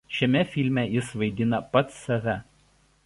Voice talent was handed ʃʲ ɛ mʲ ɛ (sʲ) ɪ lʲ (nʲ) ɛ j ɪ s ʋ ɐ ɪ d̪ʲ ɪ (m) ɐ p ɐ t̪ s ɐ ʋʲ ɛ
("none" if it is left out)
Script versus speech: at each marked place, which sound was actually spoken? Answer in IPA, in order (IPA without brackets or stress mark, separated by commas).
fʲ, mʲ, n